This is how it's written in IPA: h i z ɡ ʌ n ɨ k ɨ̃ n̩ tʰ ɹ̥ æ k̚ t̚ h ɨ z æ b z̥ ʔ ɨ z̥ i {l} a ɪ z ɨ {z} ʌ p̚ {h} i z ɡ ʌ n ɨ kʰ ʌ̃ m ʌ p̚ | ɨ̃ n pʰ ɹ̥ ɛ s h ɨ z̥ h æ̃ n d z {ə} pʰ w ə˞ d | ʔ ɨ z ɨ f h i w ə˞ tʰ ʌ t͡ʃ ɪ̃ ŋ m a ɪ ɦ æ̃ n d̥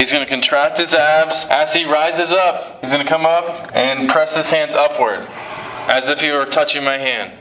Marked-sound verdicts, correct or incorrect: incorrect: ɹ, correct, correct, incorrect: ʌ

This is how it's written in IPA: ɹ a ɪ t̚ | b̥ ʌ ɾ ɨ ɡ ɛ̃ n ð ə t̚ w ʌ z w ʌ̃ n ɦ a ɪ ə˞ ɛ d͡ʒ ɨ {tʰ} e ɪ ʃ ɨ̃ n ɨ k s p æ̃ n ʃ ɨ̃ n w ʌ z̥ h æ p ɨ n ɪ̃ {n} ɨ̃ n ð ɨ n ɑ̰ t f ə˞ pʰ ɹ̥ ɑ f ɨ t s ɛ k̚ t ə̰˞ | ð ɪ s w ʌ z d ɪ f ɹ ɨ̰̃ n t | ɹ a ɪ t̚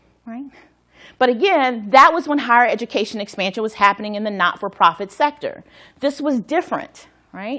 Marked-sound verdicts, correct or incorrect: incorrect: kʰ, incorrect: ŋ

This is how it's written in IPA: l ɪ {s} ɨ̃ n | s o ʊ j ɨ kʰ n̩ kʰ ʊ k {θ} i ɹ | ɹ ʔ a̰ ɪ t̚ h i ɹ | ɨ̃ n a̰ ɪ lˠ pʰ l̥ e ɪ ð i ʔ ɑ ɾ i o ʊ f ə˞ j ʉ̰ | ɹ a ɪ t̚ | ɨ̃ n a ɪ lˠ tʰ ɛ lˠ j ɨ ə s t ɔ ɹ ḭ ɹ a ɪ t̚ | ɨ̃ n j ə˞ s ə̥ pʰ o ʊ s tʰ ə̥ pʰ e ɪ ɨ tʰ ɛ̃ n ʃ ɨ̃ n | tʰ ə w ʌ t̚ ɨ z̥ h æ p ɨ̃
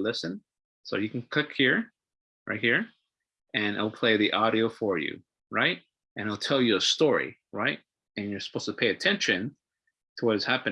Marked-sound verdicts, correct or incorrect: correct, incorrect: h

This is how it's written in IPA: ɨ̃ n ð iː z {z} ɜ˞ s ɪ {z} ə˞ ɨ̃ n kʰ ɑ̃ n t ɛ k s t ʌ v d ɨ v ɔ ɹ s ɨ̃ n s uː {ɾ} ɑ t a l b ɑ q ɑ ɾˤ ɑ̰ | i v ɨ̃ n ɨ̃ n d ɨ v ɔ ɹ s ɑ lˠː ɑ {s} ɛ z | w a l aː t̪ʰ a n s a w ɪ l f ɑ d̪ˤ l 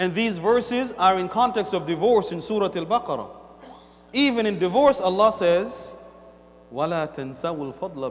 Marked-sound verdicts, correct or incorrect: incorrect: v, correct, correct, correct

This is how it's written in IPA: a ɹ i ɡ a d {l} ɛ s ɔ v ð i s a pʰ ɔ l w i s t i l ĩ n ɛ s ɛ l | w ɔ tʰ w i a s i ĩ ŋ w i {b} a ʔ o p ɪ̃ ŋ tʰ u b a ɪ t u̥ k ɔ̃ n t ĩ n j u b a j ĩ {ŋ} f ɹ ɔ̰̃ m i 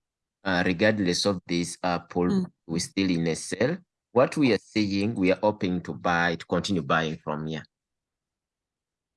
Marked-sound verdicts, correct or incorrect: correct, incorrect: none, correct

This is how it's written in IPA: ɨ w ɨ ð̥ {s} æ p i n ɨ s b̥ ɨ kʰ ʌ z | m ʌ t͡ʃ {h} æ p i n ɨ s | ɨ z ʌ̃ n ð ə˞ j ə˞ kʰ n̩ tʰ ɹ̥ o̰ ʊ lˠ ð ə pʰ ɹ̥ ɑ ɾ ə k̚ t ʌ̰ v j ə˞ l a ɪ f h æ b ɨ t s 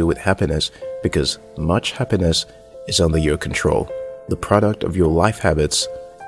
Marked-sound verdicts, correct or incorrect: incorrect: h, correct

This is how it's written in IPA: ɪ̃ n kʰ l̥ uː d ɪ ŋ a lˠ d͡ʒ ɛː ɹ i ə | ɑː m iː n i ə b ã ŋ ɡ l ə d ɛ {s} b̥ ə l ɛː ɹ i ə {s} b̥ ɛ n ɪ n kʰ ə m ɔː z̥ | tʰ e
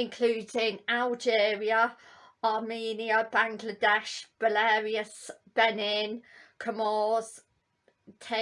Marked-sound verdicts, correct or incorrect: incorrect: ʃ, correct

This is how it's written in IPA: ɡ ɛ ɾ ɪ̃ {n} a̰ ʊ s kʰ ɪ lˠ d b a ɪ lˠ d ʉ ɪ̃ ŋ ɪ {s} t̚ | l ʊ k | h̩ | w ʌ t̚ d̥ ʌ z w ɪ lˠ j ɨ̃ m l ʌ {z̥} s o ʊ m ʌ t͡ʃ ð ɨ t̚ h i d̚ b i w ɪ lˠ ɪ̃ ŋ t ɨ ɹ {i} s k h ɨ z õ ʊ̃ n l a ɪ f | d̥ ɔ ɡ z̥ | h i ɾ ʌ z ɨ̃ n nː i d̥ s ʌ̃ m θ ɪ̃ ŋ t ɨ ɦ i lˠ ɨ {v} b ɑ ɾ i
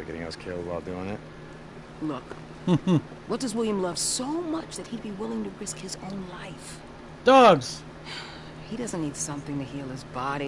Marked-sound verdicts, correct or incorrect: incorrect: ŋ, incorrect: none, incorrect: v̥, incorrect: ɪ, incorrect: z

